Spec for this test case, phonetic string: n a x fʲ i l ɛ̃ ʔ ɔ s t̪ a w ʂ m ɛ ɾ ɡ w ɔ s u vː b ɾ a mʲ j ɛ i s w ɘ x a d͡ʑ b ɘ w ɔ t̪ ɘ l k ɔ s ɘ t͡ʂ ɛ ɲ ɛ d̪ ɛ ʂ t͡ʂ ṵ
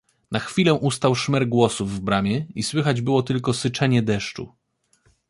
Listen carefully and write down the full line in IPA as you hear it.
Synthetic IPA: n a x fʲ i l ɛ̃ ʔ u s t̪ a w ʂ m ɛ ɾ ɡ w ɔ s u vː b ɾ a mʲ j ɛ i s w ɘ x a d͡ʑ b ɘ w ɔ t̪ ɘ l k ɔ s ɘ t͡ʂ ɛ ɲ ɛ d̪ ɛ ʂ t͡ʂ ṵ